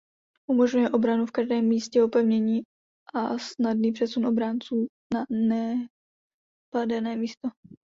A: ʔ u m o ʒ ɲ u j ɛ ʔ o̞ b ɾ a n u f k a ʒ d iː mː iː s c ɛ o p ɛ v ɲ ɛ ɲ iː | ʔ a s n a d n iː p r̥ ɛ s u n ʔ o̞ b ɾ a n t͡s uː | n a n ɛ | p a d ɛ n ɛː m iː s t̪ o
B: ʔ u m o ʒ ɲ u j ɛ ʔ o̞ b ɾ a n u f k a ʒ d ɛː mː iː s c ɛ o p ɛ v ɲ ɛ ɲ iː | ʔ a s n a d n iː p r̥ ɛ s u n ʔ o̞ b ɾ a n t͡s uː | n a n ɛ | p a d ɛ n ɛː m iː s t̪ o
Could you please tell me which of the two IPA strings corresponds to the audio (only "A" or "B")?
B